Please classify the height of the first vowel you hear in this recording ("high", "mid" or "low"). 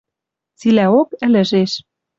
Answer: high